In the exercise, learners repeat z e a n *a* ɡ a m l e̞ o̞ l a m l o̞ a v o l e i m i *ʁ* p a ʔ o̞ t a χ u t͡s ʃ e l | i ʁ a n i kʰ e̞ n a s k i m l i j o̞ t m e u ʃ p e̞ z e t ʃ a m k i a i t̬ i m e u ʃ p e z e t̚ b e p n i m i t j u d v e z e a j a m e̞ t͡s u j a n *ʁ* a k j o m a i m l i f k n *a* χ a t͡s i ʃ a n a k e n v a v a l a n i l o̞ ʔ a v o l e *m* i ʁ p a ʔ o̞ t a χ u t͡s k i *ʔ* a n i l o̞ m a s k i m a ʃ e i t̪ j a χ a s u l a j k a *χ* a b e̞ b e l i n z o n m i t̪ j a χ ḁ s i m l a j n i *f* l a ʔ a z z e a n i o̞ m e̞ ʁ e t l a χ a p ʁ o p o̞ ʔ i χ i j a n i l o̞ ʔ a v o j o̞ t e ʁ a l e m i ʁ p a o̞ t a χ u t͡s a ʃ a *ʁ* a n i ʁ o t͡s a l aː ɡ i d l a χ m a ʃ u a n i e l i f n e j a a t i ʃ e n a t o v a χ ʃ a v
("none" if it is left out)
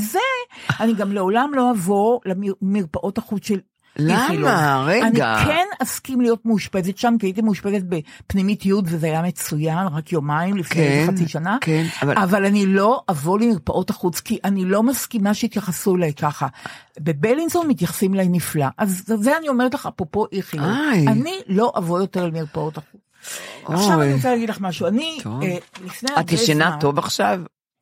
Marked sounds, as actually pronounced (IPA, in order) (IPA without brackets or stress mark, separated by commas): i, ʁ, ʁ, e, m, ʔ, χ, f, v